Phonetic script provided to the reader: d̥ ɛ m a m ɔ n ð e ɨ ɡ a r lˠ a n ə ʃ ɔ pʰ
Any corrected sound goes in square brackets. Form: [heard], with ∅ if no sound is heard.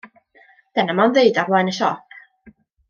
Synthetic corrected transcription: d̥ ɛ [n] a m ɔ n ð e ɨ [d] a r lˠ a n ə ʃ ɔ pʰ

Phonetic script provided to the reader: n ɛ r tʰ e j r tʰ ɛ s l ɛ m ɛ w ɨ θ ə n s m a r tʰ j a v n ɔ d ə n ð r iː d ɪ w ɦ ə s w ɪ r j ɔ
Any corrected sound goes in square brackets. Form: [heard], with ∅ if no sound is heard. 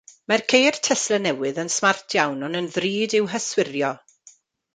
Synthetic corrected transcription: [m] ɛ r [kʰ] e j r tʰ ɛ s l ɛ [n] ɛ w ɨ [ð] ə n s m a r tʰ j a [w] n ɔ [n] ə n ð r iː d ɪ w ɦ ə s w ɪ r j ɔ

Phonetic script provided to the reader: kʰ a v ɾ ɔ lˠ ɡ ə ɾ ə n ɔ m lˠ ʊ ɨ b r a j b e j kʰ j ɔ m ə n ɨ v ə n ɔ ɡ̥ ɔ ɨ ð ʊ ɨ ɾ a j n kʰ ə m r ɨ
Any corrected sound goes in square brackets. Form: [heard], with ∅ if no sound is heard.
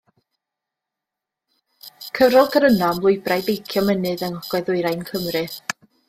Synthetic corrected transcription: kʰ [ə] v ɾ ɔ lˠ ɡ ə ɾ ə n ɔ m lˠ ʊ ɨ b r a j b e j kʰ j ɔ m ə n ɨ [ð] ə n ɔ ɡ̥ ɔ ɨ ð ʊ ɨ ɾ a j n kʰ ə m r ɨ

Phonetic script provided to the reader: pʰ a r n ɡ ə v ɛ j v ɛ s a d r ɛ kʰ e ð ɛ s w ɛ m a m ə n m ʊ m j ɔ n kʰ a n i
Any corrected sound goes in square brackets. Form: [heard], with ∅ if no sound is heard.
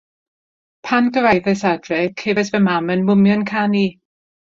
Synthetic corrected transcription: pʰ a [∅] n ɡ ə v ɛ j [ð] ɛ s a d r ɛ kʰ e [v] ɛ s [v] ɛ m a m ə n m ʊ m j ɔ n kʰ a n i

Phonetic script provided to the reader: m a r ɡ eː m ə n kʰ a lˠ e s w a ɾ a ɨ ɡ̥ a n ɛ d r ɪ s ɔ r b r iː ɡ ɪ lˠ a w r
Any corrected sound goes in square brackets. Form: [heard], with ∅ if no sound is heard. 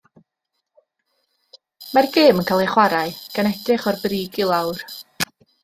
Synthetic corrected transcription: m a r ɡ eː m ə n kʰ a lˠ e [χ] w a ɾ a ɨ ɡ̥ a n ɛ d r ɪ [χ] ɔ r b r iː ɡ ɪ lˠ a w r

